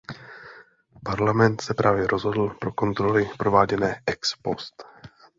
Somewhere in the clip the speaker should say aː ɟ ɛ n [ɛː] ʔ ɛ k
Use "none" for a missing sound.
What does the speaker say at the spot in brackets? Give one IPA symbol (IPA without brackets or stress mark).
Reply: ɛː